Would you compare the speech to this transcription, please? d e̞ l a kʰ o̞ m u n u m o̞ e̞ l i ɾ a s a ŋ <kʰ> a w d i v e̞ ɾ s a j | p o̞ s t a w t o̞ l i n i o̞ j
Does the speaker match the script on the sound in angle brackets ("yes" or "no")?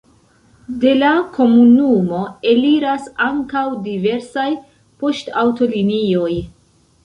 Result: no